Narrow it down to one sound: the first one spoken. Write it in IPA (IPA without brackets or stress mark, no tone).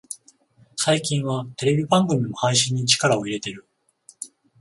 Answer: s